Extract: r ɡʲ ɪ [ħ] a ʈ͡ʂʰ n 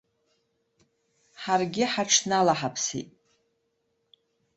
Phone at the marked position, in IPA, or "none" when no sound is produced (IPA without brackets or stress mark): ħ